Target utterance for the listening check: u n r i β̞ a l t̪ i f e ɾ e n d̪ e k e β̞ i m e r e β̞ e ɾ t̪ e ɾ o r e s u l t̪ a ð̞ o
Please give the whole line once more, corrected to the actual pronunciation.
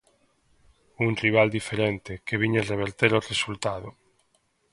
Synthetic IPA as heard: u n r i β̞ a l d̪ i f e ɾ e n t̪ e k e β̞ i ɲ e r e β̞ e ɾ t̪ e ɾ o r e s u l t̪ a ð̞ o